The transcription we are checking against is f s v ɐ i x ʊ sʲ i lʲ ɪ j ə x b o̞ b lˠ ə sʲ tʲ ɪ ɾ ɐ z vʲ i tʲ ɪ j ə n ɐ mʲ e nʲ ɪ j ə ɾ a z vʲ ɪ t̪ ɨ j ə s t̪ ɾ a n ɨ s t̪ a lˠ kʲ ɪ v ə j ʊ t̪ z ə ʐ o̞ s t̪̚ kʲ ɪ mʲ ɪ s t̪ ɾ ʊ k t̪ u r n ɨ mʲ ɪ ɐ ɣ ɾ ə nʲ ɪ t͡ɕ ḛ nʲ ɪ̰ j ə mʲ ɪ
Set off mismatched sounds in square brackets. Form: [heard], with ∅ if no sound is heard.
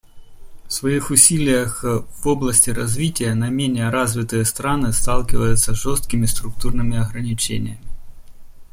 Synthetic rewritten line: f s v ɐ i x ʊ sʲ i lʲ ɪ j ə x [v] o̞ b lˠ ə sʲ tʲ ɪ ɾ ɐ z vʲ i tʲ ɪ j ə n ɐ mʲ e nʲ ɪ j ə ɾ a z vʲ ɪ t̪ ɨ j ə s t̪ ɾ a n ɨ s t̪ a lˠ kʲ ɪ v ə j ʊ t̪ [s] ə ʐ o̞ s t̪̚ kʲ ɪ mʲ ɪ s t̪ ɾ ʊ k t̪ u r n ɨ mʲ ɪ ɐ ɣ ɾ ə nʲ ɪ t͡ɕ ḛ nʲ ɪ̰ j ə mʲ ɪ